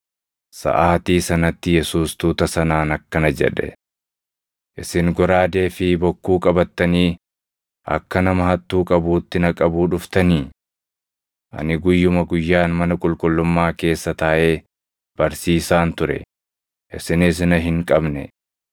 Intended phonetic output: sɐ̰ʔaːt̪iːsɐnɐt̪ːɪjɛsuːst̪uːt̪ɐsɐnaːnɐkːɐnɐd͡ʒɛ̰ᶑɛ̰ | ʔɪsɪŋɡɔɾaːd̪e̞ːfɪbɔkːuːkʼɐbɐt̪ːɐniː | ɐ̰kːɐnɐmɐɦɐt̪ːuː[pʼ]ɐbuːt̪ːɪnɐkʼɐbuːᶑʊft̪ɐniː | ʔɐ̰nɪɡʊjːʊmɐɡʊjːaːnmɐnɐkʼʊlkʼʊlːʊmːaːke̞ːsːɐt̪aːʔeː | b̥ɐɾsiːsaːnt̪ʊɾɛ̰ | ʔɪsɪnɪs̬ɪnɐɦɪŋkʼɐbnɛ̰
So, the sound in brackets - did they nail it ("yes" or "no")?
no